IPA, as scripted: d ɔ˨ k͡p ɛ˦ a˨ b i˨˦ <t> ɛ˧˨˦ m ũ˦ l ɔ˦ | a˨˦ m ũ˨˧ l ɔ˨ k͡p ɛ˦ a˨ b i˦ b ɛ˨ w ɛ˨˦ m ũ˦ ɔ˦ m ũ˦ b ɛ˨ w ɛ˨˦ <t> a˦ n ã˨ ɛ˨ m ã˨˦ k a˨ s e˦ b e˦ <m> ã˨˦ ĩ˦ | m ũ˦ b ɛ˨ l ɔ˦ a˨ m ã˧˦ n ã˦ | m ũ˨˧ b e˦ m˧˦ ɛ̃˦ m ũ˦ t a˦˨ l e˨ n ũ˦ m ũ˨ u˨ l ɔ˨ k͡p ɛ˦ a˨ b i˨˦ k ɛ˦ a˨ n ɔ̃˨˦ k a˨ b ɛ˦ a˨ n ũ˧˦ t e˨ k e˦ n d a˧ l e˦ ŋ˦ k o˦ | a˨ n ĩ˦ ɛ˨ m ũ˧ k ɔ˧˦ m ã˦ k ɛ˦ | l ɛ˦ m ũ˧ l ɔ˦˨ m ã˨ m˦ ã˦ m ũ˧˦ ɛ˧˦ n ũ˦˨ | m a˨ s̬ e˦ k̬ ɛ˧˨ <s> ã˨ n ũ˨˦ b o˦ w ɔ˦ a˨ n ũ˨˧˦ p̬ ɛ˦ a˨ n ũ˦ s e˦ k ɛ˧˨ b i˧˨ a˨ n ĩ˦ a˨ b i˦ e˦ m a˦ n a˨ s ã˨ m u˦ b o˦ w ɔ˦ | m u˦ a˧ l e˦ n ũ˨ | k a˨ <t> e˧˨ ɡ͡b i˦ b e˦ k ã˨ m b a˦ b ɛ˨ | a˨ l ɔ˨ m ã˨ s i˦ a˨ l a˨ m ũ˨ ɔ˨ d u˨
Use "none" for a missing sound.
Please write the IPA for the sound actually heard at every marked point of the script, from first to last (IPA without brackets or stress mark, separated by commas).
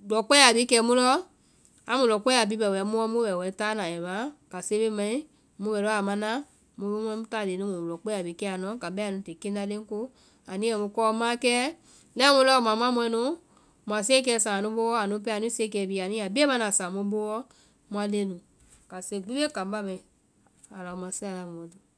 k, t, m, s, s